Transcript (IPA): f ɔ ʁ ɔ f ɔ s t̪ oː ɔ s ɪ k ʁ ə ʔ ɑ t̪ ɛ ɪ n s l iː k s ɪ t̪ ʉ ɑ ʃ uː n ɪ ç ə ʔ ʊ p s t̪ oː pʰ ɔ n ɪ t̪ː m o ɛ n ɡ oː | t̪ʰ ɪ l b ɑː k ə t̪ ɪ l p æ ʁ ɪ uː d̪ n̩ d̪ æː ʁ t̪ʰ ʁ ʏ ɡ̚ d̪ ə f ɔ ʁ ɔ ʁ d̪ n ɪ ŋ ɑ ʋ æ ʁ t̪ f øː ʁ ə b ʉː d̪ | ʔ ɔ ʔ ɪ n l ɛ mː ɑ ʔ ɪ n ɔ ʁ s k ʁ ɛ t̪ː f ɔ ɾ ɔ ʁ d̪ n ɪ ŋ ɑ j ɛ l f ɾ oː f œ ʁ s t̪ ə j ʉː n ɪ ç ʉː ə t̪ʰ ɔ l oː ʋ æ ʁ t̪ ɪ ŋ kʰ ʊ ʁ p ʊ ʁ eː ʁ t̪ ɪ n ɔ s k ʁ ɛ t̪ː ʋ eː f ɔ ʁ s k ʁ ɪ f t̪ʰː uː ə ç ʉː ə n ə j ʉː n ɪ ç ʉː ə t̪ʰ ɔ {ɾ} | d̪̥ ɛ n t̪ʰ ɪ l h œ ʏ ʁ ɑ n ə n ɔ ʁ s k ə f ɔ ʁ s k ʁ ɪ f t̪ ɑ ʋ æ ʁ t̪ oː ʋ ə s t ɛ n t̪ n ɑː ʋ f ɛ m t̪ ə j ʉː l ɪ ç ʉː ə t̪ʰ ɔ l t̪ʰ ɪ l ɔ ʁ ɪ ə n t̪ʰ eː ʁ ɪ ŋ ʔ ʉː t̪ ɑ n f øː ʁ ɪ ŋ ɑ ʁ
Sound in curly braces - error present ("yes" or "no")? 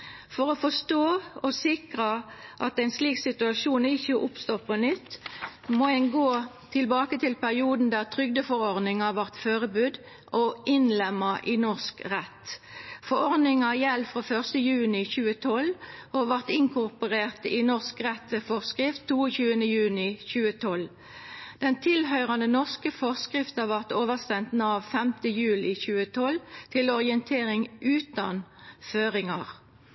yes